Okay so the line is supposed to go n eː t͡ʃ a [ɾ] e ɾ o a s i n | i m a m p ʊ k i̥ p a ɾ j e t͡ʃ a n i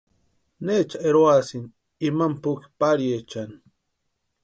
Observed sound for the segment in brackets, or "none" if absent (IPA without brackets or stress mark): none